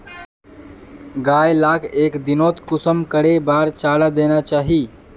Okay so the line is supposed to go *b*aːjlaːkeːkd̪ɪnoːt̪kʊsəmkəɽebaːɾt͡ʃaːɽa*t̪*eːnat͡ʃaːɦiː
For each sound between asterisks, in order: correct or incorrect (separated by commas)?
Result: incorrect, incorrect